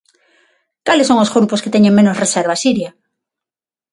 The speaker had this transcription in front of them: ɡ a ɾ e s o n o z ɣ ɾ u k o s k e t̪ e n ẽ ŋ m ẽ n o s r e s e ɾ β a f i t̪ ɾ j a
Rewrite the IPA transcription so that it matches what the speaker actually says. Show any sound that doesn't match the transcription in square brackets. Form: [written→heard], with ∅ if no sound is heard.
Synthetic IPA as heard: [ɡ→k] a [ɾ→l] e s o [n→ŋ] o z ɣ ɾ u [k→p] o s k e t̪ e [n→ɲ] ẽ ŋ m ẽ n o s r e s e ɾ β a [f→s] i [t̪→∅] ɾ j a